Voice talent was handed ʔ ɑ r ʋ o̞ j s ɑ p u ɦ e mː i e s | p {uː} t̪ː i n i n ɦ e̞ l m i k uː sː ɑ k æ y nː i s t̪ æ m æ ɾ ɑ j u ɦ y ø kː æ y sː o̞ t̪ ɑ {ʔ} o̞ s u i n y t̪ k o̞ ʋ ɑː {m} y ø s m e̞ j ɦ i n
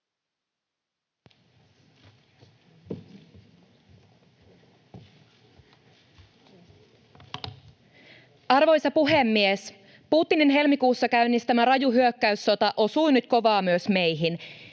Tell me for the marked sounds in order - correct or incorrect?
correct, correct, correct

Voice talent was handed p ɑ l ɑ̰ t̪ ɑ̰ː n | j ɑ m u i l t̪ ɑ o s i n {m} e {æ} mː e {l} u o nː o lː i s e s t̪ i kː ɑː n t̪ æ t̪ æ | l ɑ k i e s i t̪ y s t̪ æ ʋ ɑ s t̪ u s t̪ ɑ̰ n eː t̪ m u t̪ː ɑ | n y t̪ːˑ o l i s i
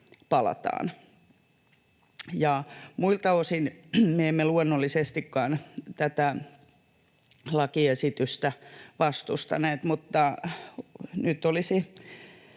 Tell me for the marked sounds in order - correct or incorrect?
correct, incorrect: e, correct

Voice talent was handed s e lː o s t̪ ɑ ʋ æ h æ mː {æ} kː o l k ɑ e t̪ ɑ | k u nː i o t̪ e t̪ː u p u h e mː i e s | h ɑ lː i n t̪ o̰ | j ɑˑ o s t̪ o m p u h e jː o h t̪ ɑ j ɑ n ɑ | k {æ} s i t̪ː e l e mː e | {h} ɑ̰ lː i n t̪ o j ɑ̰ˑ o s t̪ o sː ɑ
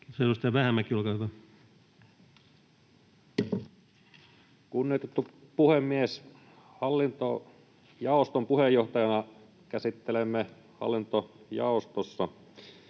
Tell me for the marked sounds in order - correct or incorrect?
correct, correct, correct

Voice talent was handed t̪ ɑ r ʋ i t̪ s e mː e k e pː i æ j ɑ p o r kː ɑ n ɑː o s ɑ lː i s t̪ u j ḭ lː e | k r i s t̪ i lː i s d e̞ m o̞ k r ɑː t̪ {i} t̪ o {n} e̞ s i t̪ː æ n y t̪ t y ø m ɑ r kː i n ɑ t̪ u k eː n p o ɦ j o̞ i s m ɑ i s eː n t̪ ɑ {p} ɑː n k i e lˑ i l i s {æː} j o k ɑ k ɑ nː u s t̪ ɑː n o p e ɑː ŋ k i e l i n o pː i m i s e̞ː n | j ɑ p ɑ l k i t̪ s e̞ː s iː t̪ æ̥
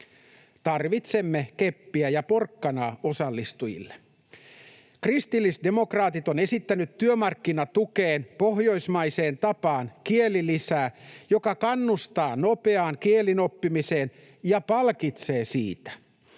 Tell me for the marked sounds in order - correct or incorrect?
correct, correct, correct, correct

